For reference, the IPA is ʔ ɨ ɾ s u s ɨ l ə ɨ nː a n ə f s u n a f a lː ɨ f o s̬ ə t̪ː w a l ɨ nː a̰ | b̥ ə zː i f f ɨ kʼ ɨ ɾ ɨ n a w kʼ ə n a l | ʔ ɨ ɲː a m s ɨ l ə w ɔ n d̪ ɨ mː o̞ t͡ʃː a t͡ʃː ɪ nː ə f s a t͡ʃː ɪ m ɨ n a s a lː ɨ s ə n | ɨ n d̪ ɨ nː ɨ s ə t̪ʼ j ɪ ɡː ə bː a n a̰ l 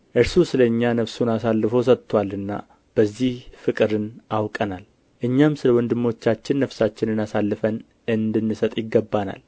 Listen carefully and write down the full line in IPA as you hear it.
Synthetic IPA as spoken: ʔ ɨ ɾ s u s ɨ l ə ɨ ɲː a n ə f s u n a s a lː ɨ f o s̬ ə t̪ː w a l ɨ nː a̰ | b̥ ə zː i h f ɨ kʼ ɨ ɾ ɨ n a w kʼ ə n a l | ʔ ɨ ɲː a m s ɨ l ə w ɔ n d̪ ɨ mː o̞ t͡ʃː a t͡ʃː ɪ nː ə f s a t͡ʃː ɪ n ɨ n a s a lː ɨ f ə n | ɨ n d̪ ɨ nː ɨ s ə t̪ʼ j ɪ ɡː ə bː a n a̰ l